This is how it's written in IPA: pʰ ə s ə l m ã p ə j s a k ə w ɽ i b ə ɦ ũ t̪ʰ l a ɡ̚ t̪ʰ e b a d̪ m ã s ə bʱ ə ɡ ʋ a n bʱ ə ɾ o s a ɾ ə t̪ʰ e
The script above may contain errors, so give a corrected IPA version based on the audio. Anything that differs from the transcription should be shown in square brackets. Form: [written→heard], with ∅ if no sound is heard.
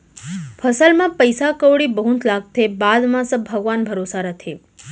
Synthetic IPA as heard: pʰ ə s ə l m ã p ə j s a k ə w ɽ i b ə ɦ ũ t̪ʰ l a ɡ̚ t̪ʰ e b a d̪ m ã s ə bʱ ə ɡ ʋ a n bʱ ə ɾ o s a ɾ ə t̪ʰ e